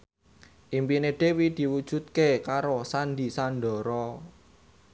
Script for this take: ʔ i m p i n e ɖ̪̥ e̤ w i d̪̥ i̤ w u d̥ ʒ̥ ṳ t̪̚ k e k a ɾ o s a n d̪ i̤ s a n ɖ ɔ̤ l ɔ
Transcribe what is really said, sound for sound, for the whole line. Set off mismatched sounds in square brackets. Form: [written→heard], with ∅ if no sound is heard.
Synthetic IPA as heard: ʔ i m p i n e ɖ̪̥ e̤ w i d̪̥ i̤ w u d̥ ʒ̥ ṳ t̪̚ k e k a ɾ o s a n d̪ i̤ s a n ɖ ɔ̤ [l→ɾ] ɔ